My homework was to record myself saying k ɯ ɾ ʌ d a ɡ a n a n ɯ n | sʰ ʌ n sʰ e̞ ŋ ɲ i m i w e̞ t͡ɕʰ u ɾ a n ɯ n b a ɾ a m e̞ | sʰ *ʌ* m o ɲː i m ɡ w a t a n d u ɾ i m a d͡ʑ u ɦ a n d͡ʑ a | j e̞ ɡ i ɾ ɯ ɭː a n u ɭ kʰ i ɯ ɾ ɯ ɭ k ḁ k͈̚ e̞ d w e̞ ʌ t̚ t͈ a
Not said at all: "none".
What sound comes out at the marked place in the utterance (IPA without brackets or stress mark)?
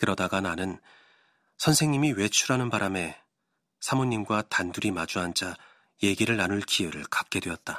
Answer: a